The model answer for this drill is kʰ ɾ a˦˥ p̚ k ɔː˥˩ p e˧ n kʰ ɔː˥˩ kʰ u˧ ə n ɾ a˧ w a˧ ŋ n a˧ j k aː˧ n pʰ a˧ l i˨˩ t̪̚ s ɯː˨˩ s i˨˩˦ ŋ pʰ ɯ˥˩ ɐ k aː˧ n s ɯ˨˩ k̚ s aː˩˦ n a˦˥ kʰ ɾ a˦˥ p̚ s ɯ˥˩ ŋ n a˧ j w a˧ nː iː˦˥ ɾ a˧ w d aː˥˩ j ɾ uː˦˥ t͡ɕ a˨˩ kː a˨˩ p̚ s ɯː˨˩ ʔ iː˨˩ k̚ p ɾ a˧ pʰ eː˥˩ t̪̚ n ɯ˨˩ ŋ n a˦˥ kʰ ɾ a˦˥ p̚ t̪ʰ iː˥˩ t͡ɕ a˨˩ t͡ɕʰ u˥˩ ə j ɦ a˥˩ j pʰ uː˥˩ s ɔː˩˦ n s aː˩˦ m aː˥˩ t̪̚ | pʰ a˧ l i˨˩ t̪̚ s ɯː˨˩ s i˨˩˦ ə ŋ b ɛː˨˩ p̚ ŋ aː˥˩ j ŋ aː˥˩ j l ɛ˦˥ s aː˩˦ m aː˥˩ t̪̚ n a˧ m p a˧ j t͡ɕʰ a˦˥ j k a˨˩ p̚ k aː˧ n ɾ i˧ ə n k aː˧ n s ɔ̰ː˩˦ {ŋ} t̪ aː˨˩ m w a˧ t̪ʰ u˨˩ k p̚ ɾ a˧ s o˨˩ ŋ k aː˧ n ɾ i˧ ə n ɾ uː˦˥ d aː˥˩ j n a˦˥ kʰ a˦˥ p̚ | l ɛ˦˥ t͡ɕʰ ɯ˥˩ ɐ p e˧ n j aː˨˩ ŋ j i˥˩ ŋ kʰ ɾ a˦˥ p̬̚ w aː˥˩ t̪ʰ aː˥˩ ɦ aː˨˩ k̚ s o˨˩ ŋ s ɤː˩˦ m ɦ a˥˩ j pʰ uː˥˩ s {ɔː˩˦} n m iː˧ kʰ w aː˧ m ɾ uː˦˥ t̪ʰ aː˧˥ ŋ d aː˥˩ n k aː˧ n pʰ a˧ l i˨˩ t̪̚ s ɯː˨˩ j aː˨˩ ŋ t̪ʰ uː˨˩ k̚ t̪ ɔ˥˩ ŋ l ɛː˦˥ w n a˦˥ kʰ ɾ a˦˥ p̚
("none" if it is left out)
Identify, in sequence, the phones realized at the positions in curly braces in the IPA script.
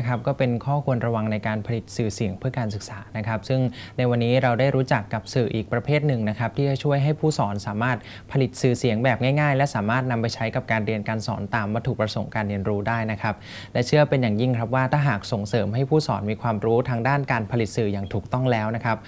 n, ɔː˩˦

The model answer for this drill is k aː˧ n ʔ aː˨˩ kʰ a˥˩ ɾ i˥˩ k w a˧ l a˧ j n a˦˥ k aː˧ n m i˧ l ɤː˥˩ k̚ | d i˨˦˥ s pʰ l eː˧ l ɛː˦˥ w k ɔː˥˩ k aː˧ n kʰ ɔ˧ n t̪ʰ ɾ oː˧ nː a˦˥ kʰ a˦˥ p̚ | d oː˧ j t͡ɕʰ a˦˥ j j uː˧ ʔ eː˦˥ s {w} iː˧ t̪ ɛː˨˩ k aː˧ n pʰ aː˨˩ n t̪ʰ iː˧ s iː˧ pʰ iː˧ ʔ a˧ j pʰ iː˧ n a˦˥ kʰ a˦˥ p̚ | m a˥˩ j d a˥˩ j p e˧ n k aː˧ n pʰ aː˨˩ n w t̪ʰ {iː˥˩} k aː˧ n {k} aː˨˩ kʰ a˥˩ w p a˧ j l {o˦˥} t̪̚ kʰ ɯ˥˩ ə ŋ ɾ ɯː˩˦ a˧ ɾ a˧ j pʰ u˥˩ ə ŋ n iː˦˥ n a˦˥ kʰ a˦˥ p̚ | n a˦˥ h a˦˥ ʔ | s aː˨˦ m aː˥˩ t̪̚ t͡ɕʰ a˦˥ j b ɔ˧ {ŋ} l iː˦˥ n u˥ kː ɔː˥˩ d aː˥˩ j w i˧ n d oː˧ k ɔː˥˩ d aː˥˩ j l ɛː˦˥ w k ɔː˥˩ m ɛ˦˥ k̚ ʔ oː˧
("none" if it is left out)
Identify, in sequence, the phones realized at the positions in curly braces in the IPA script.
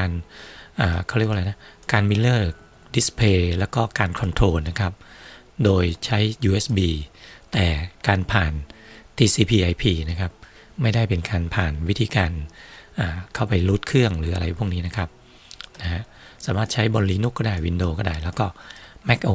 b, iː˧, ʔ, u˦˥, n

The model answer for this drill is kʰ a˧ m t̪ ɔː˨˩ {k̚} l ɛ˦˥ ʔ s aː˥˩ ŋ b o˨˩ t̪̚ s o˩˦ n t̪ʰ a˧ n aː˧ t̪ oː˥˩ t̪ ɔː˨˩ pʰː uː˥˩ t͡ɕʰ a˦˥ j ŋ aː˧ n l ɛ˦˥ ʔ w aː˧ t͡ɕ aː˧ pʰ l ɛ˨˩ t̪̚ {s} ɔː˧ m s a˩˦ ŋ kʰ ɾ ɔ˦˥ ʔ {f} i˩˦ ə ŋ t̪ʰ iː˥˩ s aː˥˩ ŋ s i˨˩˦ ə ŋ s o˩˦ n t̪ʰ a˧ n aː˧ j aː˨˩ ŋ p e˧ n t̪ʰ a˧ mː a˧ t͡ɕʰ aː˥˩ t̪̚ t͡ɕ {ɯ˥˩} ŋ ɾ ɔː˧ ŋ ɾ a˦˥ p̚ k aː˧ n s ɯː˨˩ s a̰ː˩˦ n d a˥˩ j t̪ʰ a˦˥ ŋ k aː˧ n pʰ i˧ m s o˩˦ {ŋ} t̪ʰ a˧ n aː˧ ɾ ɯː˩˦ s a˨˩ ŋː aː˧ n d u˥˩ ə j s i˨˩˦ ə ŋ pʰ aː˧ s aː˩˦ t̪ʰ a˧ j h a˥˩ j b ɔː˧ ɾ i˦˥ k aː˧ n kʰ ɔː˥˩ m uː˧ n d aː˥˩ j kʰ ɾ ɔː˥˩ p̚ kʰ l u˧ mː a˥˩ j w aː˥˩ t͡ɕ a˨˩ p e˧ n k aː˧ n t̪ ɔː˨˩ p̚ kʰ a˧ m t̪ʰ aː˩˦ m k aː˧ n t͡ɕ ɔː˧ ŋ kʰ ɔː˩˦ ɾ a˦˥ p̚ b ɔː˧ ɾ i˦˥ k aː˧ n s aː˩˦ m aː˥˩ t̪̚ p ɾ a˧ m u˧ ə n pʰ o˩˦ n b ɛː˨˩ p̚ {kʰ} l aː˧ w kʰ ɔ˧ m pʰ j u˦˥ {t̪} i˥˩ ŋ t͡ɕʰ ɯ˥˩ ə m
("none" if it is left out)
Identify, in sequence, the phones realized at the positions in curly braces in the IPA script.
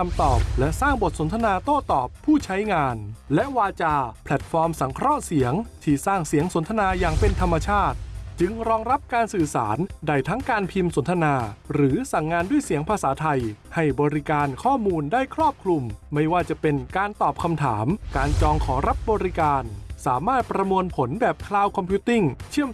p̚, f, s, ɯ˧, n, kʰ, t̪

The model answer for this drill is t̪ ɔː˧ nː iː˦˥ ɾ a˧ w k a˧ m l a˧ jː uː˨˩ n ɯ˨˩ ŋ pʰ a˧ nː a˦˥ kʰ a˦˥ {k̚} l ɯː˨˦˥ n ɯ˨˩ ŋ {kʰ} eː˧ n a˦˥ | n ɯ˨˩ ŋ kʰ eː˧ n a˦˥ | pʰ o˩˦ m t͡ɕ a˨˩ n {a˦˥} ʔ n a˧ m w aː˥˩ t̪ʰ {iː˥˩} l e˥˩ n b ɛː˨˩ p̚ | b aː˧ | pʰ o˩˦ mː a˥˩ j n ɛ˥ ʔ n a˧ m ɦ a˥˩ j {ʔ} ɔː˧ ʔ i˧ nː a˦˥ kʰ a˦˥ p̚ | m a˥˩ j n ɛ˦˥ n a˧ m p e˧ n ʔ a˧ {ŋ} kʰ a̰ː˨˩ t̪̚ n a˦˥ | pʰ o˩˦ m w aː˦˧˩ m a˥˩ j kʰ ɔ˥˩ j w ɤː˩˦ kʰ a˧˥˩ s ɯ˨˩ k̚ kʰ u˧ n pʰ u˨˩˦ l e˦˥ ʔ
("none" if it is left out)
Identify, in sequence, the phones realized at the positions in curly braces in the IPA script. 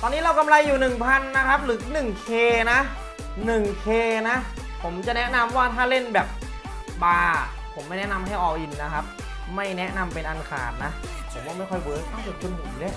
p̚, kʰ, ɛ˦˥, aː˥˩, ʔ, n

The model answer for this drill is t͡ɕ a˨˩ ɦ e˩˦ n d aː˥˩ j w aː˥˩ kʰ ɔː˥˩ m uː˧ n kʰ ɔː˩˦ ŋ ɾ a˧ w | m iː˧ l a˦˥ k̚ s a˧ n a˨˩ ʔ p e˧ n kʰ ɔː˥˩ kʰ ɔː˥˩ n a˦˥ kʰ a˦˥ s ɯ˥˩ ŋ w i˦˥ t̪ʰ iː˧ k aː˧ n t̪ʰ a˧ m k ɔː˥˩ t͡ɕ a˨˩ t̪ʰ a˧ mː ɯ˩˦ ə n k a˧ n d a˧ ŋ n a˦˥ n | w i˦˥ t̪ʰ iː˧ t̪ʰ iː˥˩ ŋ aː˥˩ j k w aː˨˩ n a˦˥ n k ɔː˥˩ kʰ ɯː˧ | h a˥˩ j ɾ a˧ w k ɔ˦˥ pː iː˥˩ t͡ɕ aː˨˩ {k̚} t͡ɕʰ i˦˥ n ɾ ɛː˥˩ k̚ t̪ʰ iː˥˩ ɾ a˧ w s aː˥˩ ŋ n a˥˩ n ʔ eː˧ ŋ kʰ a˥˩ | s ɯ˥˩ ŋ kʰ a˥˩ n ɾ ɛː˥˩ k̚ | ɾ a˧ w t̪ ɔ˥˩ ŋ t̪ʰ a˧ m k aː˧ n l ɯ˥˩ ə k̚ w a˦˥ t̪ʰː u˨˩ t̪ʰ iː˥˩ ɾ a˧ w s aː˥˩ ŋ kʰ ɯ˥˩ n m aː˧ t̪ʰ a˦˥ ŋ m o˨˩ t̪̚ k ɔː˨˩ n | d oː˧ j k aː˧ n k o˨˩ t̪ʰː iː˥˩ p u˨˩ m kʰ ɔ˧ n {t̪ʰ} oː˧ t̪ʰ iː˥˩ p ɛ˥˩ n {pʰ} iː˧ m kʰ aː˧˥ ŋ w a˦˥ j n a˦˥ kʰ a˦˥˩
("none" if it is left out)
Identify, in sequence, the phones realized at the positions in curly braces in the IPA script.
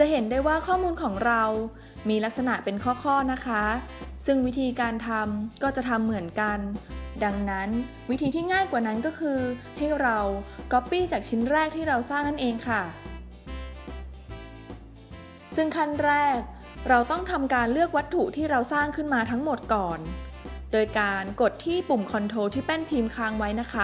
k̚, t̪ʰ, pʰ

